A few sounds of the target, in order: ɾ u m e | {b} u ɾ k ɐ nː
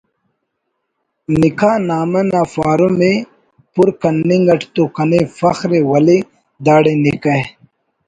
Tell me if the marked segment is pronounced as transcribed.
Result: no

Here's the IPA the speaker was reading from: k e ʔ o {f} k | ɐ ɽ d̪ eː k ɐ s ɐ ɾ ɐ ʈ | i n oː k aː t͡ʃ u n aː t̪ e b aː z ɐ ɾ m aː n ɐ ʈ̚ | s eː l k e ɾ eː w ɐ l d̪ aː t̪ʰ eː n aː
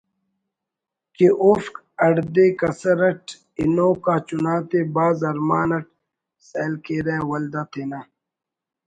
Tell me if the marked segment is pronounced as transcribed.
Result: yes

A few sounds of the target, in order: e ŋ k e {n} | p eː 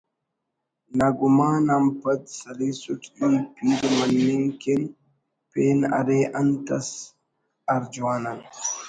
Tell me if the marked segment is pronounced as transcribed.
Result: yes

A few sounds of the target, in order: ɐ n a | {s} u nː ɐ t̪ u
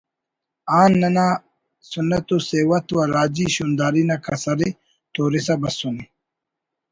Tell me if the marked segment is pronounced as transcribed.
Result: yes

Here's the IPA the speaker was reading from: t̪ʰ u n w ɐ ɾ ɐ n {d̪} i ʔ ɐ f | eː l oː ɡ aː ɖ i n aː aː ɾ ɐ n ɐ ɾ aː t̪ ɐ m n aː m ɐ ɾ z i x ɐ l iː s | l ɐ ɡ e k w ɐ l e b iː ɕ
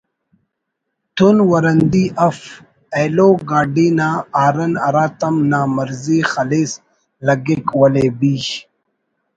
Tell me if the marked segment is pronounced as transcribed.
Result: yes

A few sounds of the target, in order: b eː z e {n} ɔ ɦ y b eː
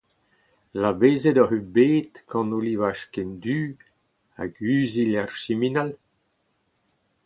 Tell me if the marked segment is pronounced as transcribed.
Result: no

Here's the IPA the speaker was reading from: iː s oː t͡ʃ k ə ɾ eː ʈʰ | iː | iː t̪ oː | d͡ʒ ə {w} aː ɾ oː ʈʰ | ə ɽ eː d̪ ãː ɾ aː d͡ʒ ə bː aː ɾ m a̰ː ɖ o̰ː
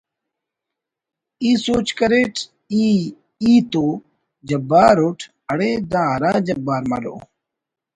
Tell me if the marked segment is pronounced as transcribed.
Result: no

